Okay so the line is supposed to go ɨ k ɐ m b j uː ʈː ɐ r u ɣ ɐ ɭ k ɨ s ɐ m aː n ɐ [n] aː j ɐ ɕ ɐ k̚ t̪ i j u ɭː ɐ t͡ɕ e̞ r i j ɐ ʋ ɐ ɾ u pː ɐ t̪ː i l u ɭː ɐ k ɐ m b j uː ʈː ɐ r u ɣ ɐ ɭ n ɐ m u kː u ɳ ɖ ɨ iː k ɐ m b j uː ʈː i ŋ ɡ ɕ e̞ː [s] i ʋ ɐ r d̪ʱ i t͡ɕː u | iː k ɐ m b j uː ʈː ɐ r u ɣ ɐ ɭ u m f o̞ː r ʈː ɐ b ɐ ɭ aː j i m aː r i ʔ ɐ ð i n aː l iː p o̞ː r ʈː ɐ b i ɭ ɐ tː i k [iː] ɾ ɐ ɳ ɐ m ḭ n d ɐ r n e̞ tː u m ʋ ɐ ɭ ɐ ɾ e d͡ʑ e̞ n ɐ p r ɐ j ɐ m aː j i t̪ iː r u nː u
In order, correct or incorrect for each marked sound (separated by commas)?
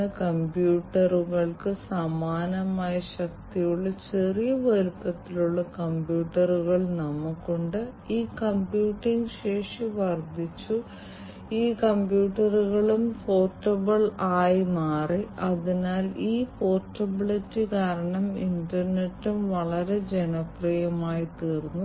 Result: incorrect, incorrect, incorrect